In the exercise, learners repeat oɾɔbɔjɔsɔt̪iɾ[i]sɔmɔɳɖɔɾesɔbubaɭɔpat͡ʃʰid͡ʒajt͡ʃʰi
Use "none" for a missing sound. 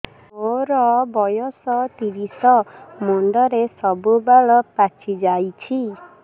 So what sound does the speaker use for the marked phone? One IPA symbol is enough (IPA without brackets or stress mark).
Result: i